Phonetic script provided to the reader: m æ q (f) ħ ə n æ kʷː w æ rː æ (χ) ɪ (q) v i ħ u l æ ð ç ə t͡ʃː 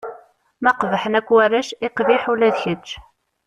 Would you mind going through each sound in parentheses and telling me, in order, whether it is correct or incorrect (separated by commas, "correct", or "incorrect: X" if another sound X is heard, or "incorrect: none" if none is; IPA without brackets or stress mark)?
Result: incorrect: v, incorrect: ʃ, correct